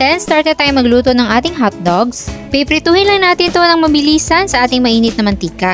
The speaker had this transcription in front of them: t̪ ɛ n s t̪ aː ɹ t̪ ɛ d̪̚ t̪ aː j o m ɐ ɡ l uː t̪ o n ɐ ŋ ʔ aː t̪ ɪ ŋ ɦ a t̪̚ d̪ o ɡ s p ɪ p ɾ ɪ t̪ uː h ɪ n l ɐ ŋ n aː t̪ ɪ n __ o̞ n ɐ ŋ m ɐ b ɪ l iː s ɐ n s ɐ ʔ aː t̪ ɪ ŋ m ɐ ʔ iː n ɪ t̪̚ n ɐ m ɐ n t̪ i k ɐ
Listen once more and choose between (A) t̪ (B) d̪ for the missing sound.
A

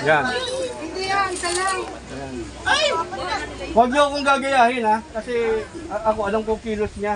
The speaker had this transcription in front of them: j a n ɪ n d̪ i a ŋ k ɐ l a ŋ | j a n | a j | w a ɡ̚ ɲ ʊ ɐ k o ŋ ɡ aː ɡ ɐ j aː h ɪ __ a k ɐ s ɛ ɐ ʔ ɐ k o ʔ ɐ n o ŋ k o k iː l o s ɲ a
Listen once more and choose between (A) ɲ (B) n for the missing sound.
B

